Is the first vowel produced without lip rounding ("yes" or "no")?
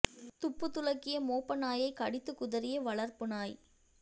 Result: no